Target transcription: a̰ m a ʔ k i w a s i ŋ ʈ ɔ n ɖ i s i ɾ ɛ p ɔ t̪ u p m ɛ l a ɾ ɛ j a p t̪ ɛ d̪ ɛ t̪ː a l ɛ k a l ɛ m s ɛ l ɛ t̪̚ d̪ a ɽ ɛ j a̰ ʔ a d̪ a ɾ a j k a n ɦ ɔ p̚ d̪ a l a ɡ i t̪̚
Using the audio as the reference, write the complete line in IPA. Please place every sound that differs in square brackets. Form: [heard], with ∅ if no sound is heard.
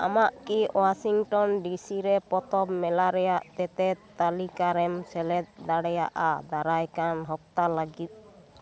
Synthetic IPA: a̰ m a ʔ k i w a s i ŋ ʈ ɔ n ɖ i s i ɾ ɛ p ɔ t̪ [ɔ] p m ɛ l a ɾ ɛ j a [ʔ] t̪ ɛ [t̪] ɛ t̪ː a l [i] k a [ɾ] ɛ m s ɛ l ɛ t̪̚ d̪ a ɽ ɛ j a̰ ʔ a d̪ a ɾ a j k a n ɦ ɔ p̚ [t̪] a l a ɡ i t̪̚

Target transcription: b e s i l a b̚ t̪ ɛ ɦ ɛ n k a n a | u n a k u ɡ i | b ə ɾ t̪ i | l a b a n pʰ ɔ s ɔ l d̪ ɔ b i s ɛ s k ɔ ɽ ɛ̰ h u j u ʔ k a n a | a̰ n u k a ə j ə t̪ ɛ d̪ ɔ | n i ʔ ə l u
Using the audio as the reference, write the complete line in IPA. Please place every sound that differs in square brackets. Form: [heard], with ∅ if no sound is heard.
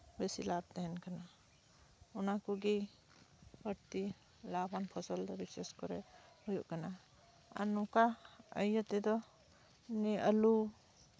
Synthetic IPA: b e s i l a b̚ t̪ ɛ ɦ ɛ n k a n a | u n a k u ɡ i | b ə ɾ t̪ i | l a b a n pʰ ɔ s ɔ l d̪ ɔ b i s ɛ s k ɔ [ɾ] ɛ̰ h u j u ʔ k a n a | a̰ n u k a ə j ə t̪ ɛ d̪ ɔ | n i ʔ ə l u

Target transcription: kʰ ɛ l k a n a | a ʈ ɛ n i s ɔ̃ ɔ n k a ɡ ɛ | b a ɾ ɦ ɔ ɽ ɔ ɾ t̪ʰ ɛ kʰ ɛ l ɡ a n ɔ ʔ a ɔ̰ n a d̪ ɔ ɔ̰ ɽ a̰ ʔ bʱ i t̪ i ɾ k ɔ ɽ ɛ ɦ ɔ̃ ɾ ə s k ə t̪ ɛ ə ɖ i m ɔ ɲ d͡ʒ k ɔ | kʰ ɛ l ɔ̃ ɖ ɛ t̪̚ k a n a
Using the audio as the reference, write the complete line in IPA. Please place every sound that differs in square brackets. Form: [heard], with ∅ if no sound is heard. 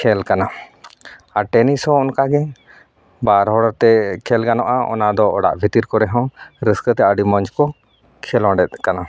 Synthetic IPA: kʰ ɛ l k a n a | a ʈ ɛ n i s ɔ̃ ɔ n k a ɡ ɛ | b a ɾ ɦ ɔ ɽ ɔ ɾ [t̪] ɛ kʰ ɛ l ɡ a n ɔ ʔ a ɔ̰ n a d̪ ɔ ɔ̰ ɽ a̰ ʔ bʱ i t̪ i ɾ k ɔ [ɾ] ɛ ɦ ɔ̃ ɾ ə s k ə t̪ ɛ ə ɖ i m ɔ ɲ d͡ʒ k ɔ | kʰ ɛ l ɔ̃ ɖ ɛ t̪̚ k a n a

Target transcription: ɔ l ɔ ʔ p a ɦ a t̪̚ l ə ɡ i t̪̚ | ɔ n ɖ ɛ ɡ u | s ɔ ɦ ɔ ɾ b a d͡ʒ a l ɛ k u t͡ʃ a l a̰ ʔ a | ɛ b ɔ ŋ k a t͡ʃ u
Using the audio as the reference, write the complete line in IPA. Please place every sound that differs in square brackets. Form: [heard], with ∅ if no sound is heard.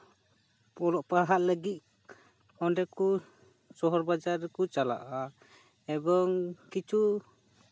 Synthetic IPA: ɔ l ɔ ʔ p a ɦ a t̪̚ l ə ɡ i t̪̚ | ɔ n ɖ ɛ [k] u | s ɔ ɦ ɔ ɾ b a d͡ʒ a [ɾ] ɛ k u t͡ʃ a l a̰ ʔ a | ɛ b ɔ ŋ k [i] t͡ʃ u

